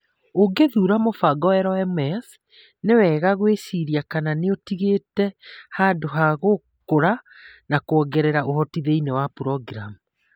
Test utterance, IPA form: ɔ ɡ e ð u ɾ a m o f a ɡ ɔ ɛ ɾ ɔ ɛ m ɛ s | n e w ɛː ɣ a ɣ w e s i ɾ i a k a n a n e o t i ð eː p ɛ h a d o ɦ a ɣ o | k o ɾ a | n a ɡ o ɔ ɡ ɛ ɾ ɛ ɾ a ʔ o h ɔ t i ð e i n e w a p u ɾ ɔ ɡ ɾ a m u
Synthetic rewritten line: o ɡ e ð u ɾ a m o f a ɡ ɔ ɛ ɾ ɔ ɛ m ɛ s | n e w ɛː ɣ a ɣ w e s i ɾ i a k a n a n e o t i ɣ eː t ɛ h a d o ɦ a ɣ o | k o ɾ a | n a k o ɔ ɡ ɛ ɾ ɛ ɾ a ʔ o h ɔ t i ð e i n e w a p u ɾ ɔ ɡ ɾ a m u

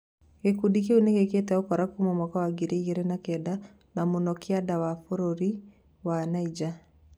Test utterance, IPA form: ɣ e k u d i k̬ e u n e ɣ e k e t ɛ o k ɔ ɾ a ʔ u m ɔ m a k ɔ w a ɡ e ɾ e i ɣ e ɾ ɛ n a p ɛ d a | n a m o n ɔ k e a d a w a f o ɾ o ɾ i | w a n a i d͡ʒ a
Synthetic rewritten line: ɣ e k u d i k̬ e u n e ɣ e k e t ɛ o k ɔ ɾ a k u m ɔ m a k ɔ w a ɡ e ɾ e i ɣ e ɾ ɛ n a k ɛ d a | n a m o n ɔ k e a d a w a f o ɾ o ɾ i | w a n a i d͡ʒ a

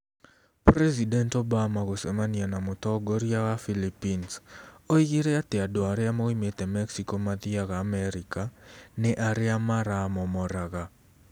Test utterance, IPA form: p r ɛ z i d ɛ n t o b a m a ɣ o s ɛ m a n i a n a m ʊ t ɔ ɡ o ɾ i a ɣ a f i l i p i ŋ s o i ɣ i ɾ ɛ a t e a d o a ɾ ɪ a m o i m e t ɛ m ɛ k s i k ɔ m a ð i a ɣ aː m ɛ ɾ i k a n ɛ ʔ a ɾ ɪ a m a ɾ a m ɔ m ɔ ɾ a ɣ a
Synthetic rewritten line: p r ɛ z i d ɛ n t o b a m a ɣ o s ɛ m a n i a n a m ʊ t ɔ ɡ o ɾ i a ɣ a f i l i p i n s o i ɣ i ɾ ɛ a t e a d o a ɾ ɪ a m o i m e t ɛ m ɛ k s i k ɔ m a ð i a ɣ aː m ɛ ɾ i k a n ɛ ʔ a ɾ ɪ a m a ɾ a m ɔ m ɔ ɾ a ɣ a

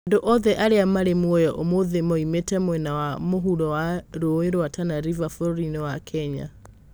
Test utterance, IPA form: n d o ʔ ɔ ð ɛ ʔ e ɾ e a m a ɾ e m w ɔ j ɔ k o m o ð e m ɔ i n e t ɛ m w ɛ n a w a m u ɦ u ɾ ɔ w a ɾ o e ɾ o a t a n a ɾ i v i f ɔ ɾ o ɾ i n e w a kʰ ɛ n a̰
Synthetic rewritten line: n d o ʔ ɔ ð ɛ ʔ a ɾ e a m a ɾ e m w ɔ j ɔ ʔ o m o ð e m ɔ i m e t ɛ m w ɛ n a w a m o ɦ u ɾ ɔ w a ɾ o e ɾ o a t a n a ɾ i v a f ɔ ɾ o ɾ i n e w a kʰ ɛ ɲ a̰

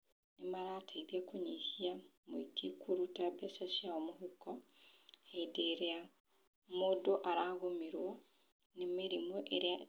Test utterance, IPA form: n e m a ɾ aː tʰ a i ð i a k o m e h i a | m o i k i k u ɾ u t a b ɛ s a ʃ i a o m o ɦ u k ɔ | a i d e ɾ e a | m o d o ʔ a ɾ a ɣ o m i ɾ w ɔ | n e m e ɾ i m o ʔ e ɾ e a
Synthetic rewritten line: n e m a ɾ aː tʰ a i ð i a k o ɲ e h i a | m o i k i k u ɾ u t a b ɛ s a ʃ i a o m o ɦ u k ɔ | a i d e ɾ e a | m o d o ʔ a ɾ a ɣ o m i ɾ w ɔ | n e m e ɾ i m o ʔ e ɾ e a

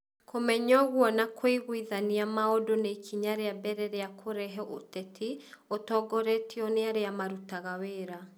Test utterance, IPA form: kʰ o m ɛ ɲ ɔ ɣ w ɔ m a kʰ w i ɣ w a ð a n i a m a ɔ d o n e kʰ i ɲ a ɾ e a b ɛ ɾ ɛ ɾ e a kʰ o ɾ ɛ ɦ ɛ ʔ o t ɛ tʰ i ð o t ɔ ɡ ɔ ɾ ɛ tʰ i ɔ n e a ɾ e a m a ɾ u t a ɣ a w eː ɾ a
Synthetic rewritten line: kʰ o m ɛ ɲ ɔ ɣ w ɔ n a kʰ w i ɣ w i ð a n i a m a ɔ d o n e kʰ i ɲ a ɾ e a b ɛ ɾ ɛ ɾ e a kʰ o ɾ ɛ ɦ ɛ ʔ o t ɛ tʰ i o t ɔ ɡ ɔ ɾ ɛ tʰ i ɔ n e a ɾ e a m a ɾ u t a ɣ a w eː ɾ a

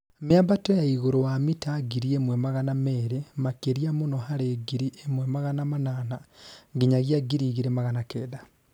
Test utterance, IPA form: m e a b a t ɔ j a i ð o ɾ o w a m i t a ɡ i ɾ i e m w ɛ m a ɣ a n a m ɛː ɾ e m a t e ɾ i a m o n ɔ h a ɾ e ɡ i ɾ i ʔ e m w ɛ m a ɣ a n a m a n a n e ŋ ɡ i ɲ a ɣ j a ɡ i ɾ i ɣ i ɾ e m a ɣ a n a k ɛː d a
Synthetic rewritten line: m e a b a t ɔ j a i ɣ o ɾ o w a m i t a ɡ i ɾ i e m w ɛ m a ɣ a n a m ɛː ɾ e m a k e ɾ i a m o n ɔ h a ɾ e ɡ i ɾ i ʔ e m w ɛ m a ɣ a n a m a n a n a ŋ ɡ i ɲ a ɣ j a ɡ i ɾ i ɣ i ɾ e m a ɣ a n a k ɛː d a

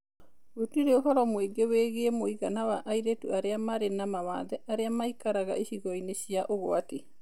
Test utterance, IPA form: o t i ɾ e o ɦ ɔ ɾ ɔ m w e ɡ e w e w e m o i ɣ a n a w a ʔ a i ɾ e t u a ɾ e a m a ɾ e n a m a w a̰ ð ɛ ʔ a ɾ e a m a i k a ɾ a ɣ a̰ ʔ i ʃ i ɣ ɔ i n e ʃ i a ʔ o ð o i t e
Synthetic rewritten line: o t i ɾ e o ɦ ɔ ɾ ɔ m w e ɡ e w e ɣ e m o i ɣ a n a w a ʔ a i ɾ e t u a ɾ e a m a ɾ e n a m a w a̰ ð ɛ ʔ a ɾ e a m a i k a ɾ a ɣ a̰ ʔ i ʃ i ɣ ɔ i n e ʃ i a ʔ o ɣ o a t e

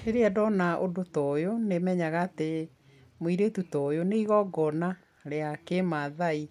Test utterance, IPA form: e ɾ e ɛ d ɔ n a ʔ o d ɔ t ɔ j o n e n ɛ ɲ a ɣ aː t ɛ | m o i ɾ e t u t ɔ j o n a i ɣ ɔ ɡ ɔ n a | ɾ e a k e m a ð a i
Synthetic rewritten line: e ɾ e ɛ d ɔ n a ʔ o d o t ɔ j o n e m ɛ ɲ a ɣ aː t e | m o i ɾ e t u t ɔ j o n e i ɣ ɔ ɡ ɔ n a | ɾ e a k e m a ð a i

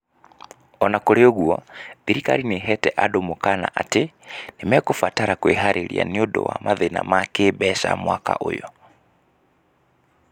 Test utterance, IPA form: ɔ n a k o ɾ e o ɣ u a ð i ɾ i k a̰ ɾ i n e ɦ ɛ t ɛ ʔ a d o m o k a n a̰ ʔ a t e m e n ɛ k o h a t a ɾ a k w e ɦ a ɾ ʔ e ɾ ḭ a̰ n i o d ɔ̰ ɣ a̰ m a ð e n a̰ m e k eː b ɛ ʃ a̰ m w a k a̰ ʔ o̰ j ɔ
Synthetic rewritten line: ɔ n a k o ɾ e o ɣ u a ð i ɾ i k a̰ ɾ i n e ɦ ɛ t ɛ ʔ a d o m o k a n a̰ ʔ a t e n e m ɛ k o f a t a ɾ a k w e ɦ a ɾ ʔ e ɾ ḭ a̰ n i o d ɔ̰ w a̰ m a ð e n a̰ m a k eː b ɛ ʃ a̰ m w a k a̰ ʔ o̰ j ɔ

